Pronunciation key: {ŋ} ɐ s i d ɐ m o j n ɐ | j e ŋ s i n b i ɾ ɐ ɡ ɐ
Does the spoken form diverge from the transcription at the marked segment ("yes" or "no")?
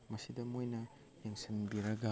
yes